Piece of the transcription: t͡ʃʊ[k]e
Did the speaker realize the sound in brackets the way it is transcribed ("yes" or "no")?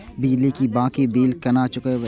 yes